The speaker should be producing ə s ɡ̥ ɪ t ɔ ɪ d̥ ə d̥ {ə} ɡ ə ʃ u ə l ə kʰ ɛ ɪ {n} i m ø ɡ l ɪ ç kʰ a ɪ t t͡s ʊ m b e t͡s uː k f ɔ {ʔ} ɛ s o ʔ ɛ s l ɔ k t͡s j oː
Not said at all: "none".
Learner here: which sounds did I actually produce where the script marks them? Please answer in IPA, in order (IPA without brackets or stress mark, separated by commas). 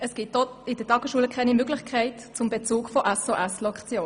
ɑ, n, ʔ